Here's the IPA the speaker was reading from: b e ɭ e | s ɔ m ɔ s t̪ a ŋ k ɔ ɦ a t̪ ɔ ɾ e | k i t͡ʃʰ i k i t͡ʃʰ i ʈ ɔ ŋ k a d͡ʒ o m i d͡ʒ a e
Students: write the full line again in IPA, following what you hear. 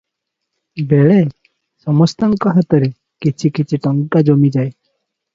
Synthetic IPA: b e ɭ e | s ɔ m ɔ s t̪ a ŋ k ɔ ɦ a t̪ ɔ ɾ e | k i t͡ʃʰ i k i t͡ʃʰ i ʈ ɔ ŋ k a d͡ʒ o m i d͡ʒ a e